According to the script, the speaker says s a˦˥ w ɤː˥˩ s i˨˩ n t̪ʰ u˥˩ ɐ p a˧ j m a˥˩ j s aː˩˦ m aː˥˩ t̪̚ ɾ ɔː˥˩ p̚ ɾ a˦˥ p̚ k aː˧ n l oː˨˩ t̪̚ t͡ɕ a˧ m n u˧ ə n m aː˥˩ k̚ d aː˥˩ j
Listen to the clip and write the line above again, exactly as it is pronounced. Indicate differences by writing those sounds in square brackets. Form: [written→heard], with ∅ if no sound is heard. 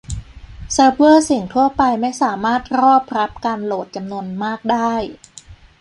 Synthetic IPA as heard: s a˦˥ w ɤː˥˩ s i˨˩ [n→ŋ] t̪ʰ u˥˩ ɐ p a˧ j m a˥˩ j s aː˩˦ m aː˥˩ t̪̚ ɾ ɔː˥˩ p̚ ɾ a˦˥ p̚ k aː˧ n l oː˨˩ t̪̚ t͡ɕ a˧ m n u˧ ə n m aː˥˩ k̚ d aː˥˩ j

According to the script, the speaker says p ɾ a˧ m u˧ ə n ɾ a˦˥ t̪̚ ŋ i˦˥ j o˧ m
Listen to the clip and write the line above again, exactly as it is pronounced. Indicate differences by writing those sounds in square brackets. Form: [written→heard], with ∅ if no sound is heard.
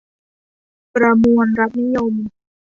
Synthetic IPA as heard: p ɾ a˧ m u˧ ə n ɾ a˦˥ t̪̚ [ŋ→n] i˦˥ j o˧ m

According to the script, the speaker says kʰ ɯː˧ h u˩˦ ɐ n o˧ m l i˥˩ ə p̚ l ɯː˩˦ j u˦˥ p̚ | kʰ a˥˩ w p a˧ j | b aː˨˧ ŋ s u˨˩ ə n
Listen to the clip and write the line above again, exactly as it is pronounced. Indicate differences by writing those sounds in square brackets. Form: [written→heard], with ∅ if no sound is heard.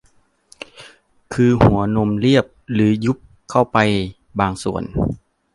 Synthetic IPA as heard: kʰ ɯː˧ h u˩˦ ɐ n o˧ m l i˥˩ ə p̚ l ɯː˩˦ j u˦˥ p̚ | kʰ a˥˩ w p a˧ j | b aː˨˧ ŋ s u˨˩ ə n

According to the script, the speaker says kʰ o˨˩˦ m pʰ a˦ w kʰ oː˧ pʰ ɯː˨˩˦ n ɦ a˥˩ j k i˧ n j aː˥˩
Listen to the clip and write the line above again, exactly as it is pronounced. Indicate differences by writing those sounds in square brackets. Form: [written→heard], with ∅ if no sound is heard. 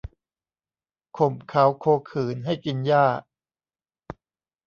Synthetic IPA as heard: kʰ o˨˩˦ m [pʰ→kʰ] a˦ w kʰ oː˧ [pʰ→kʰ] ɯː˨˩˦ n ɦ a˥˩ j k i˧ n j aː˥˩

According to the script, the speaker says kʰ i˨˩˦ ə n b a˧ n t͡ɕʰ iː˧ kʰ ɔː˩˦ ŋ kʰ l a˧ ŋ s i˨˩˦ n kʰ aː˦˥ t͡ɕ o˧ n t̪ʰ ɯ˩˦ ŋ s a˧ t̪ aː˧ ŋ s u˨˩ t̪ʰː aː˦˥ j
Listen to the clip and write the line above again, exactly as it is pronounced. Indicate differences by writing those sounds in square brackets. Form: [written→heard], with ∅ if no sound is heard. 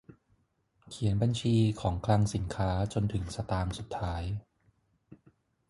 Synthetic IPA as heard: kʰ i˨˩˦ ə n b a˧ n t͡ɕʰ iː˧ kʰ ɔː˩˦ ŋ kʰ l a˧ ŋ s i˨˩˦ n kʰ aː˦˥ t͡ɕ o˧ n t̪ʰ ɯ˩˦ ŋ s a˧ t̪ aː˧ ŋ s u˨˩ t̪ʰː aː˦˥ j

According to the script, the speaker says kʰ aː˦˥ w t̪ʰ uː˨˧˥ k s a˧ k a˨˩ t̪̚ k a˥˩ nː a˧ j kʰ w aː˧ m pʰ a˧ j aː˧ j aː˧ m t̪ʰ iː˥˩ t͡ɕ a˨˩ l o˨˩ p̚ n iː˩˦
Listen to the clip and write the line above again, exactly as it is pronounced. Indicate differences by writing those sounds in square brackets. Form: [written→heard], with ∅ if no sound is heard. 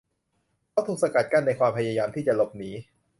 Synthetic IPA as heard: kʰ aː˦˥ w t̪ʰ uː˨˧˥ k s a˧ k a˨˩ t̪̚ k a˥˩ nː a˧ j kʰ w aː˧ m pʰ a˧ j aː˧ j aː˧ m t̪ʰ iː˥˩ t͡ɕ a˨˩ l o˨˩ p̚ n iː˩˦

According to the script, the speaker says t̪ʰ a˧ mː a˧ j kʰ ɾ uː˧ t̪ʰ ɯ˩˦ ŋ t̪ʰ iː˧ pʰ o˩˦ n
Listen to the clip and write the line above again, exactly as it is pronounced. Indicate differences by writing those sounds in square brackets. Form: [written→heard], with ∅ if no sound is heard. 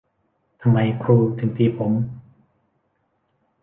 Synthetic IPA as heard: t̪ʰ a˧ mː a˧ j kʰ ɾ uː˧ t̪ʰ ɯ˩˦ ŋ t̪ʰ iː˧ pʰ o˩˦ [n→m]

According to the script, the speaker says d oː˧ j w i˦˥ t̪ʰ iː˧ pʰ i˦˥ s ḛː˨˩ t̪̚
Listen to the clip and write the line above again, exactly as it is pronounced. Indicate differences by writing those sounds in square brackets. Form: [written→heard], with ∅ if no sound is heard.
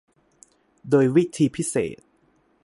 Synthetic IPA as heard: d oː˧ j w i˦˥ t̪ʰ iː˧ pʰ i˦˥ s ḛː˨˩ t̪̚

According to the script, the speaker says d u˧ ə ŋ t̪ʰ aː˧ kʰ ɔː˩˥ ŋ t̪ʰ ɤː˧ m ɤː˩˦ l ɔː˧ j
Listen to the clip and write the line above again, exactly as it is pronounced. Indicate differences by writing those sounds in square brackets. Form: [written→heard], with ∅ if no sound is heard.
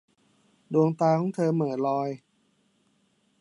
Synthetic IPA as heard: d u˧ ə ŋ [t̪ʰ→t̪] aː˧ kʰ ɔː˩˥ ŋ t̪ʰ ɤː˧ m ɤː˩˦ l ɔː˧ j

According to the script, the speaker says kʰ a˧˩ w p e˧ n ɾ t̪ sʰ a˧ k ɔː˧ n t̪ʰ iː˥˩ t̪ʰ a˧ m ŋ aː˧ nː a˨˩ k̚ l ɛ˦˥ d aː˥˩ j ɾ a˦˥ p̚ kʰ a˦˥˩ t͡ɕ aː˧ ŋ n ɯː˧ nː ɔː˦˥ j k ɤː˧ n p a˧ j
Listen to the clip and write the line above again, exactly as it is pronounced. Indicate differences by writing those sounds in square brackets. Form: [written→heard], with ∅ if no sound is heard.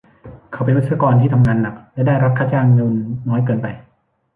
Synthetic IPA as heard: kʰ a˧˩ w p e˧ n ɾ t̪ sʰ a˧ k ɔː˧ n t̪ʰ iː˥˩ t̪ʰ a˧ m ŋ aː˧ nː a˨˩ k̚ l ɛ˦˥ d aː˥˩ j ɾ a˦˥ p̚ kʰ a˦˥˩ t͡ɕ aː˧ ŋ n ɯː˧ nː ɔː˦˥ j k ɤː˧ n p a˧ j

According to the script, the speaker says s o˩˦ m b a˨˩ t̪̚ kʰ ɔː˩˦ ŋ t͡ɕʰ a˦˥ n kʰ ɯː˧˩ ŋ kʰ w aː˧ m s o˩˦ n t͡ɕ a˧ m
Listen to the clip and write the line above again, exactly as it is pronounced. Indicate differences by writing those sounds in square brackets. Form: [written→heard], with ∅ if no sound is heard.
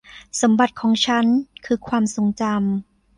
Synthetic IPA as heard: s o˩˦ m b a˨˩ t̪̚ kʰ ɔː˩˦ ŋ t͡ɕʰ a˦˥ n kʰ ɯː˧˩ [ŋ→∅] kʰ w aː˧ m s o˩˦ [n→ŋ] t͡ɕ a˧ m

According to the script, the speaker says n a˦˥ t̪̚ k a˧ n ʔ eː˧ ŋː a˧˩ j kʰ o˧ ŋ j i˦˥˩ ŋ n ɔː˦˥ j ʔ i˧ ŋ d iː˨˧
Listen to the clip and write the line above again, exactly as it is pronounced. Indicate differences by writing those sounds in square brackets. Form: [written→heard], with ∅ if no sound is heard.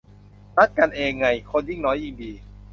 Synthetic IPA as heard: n a˦˥ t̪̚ k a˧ n ʔ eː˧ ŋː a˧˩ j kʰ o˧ [ŋ→n] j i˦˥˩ ŋ n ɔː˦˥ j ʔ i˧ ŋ d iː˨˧

